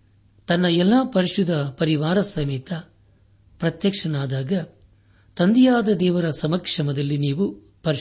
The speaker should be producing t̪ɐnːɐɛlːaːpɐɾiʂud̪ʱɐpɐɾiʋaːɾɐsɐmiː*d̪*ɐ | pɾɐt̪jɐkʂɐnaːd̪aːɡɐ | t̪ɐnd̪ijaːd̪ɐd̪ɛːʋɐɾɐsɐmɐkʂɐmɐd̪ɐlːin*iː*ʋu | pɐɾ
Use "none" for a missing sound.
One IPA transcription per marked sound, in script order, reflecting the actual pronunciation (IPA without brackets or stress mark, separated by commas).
t̪, iː